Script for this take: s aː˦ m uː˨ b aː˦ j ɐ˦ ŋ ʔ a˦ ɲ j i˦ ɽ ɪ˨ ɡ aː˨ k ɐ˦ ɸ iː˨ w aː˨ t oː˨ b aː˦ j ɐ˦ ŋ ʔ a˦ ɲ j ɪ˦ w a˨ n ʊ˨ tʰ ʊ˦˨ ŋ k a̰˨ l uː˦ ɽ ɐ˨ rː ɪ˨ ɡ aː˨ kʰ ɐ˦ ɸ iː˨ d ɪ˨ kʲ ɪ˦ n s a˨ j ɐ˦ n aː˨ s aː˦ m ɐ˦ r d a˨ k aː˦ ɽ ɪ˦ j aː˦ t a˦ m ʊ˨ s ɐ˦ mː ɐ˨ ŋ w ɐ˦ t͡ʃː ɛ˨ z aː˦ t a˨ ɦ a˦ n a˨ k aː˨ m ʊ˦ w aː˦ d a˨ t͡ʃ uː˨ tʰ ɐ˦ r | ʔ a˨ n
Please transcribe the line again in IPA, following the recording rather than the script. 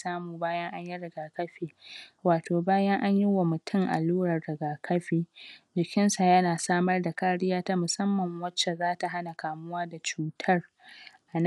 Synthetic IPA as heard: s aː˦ m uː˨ b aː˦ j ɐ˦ ŋ ʔ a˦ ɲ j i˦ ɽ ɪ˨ ɡ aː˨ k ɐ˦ ɸ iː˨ w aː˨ t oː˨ b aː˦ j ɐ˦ ŋ ʔ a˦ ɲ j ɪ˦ w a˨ m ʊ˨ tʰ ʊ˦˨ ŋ ʔ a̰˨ l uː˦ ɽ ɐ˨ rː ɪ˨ ɡ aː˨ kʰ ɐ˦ ɸ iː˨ d͡ʒ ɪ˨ kʲ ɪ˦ n s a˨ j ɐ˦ n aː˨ s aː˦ m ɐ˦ r d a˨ k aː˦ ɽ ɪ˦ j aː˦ t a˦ m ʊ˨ s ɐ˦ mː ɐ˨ ŋ w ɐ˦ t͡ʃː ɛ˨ z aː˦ t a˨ ɦ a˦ n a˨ k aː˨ m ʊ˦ w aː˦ d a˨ t͡ʃ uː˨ tʰ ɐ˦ r | ʔ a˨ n